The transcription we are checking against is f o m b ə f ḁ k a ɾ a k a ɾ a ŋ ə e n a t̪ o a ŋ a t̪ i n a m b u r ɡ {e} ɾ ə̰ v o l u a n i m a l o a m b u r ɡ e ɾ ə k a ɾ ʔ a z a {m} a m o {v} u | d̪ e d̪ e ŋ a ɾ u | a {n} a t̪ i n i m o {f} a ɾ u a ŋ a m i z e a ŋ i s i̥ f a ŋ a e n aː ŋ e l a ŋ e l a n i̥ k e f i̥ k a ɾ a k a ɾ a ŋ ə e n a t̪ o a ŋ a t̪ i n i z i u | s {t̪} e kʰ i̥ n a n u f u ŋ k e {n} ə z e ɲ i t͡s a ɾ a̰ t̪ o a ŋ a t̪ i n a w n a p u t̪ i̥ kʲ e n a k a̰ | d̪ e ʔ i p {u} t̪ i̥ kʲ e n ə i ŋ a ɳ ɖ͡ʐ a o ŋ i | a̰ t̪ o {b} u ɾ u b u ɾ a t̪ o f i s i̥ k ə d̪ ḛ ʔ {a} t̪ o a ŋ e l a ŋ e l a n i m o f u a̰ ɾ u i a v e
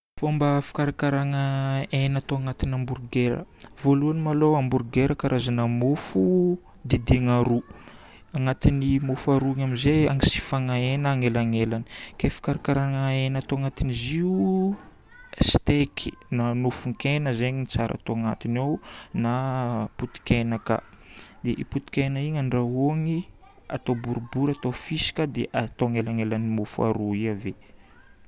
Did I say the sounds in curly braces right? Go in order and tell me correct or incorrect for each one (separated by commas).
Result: correct, incorrect, incorrect, incorrect, correct, correct, correct, correct, correct, correct